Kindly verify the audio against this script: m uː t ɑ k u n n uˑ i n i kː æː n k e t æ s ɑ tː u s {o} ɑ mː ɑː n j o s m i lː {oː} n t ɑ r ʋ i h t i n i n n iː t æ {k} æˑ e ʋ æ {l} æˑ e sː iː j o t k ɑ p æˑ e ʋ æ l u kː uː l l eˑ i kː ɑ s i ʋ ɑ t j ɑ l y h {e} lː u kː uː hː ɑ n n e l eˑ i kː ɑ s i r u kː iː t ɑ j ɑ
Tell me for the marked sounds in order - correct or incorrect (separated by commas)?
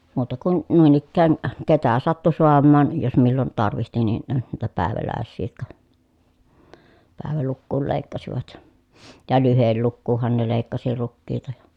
correct, incorrect, incorrect, correct, correct